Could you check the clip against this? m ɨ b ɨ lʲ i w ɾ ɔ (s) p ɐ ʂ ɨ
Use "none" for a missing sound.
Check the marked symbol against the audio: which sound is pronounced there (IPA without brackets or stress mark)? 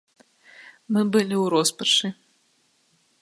s